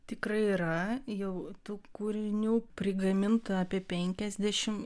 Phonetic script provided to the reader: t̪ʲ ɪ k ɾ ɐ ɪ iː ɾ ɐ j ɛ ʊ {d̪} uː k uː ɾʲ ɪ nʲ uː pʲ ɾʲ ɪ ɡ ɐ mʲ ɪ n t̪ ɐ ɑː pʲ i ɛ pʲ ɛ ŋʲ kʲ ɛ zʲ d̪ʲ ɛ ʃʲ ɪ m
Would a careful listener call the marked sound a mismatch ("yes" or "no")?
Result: yes